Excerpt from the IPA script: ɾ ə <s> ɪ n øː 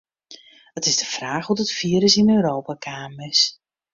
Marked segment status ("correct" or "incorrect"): correct